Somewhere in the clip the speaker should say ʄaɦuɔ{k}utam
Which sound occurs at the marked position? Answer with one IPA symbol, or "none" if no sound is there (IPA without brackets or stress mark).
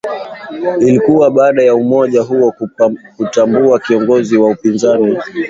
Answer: k